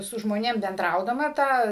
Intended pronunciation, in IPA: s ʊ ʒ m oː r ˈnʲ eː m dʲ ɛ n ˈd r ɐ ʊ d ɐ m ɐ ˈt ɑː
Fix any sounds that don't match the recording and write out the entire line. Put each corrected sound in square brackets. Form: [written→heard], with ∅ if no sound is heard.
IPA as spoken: s ʊ ʒ m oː [r→∅] ˈnʲ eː m [dʲ→bʲ] ɛ n ˈd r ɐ ʊ d ɐ m ɐ ˈt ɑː